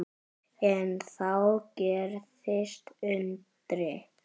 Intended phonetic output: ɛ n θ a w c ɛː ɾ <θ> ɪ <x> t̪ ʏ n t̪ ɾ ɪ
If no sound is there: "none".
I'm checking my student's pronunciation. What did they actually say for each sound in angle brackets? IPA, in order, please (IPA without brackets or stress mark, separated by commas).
θ, s